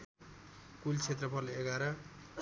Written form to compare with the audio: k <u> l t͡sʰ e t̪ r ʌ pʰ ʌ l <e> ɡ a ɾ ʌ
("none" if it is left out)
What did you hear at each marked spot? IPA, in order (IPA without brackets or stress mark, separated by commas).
u, e